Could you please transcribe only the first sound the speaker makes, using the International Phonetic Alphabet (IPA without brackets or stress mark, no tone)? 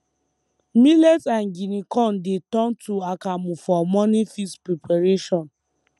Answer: m